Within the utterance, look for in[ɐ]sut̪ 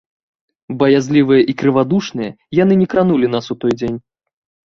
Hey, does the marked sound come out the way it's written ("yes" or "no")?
no